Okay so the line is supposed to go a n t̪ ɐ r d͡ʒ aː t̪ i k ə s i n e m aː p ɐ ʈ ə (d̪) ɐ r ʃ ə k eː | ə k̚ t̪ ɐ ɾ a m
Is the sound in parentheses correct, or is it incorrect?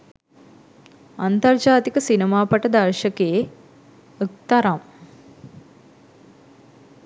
correct